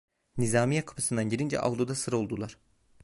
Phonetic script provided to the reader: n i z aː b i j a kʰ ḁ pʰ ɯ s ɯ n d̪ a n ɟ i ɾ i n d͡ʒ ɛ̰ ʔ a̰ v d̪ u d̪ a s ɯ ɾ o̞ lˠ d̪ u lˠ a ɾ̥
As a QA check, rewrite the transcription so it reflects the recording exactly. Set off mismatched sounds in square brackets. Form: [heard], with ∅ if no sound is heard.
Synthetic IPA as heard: n i z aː [m] i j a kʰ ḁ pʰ ɯ s ɯ n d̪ a n ɟ i ɾ i n d͡ʒ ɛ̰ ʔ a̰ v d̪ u d̪ a s ɯ ɾ o̞ lˠ d̪ u lˠ a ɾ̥